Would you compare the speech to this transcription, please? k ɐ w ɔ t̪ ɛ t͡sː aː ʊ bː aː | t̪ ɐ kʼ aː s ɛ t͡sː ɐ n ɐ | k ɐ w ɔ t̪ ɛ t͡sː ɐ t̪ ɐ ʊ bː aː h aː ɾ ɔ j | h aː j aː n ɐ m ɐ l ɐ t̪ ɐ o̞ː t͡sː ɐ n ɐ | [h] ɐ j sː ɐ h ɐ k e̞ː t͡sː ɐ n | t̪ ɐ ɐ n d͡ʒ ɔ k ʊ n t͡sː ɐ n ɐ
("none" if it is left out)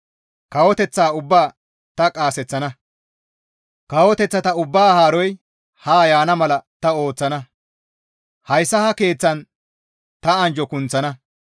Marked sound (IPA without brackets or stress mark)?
h